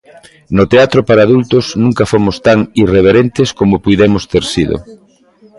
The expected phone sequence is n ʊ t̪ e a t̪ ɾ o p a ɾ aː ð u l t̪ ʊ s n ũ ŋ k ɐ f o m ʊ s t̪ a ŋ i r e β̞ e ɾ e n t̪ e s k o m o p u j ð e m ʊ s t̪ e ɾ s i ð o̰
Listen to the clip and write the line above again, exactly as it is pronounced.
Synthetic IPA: n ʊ t̪ e a t̪ ɾ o p a ɾ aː ð u l t̪ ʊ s n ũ ŋ k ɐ f o m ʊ s t̪ a ŋ i r e β̞ e ɾ e n t̪ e s k o m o p u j ð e m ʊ s t̪ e ɾ s i ð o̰